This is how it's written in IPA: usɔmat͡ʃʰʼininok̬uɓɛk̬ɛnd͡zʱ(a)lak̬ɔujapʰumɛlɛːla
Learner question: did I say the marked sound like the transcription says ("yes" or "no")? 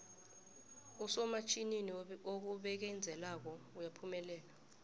no